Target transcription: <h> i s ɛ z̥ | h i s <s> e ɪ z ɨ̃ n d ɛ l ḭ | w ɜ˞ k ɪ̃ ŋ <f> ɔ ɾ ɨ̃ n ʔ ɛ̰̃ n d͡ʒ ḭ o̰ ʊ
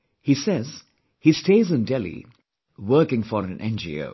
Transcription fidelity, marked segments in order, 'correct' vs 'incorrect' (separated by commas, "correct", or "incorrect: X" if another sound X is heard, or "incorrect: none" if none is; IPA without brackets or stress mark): correct, incorrect: t, correct